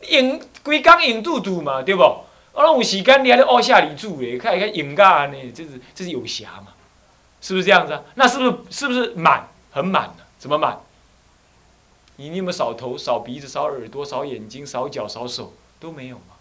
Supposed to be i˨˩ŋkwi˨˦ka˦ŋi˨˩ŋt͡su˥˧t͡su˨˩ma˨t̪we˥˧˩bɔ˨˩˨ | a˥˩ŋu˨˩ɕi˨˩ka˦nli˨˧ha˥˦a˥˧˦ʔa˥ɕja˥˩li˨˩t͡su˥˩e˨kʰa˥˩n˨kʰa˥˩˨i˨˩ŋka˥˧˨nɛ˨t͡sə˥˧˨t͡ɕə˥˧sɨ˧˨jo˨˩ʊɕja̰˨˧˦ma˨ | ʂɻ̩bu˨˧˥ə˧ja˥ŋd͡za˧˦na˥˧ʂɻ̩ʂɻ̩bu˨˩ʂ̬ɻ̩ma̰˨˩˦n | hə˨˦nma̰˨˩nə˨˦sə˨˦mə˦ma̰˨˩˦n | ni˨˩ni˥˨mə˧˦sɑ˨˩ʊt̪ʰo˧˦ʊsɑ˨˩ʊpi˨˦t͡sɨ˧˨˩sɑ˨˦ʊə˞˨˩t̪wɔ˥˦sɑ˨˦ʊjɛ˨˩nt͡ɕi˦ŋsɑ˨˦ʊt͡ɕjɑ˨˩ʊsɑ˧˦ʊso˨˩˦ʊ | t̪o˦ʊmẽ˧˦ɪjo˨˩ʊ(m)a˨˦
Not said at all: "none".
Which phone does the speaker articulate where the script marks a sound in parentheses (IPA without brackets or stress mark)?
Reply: m